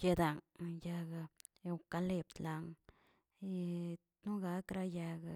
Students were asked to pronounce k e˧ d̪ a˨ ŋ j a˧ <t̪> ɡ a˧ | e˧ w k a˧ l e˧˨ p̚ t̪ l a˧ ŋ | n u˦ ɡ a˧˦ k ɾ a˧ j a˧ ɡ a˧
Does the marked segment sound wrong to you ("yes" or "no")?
yes